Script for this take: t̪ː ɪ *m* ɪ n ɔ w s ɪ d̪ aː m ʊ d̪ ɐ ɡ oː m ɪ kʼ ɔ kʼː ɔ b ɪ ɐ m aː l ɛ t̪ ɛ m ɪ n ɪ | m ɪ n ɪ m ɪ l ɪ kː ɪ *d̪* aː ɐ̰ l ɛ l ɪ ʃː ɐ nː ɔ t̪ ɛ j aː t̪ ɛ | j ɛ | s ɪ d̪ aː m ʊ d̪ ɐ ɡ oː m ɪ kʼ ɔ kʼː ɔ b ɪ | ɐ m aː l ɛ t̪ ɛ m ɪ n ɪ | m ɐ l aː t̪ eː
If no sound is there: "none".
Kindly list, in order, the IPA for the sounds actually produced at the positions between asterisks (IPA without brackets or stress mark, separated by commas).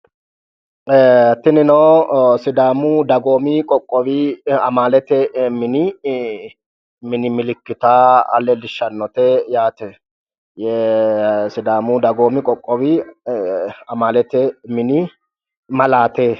n, t̪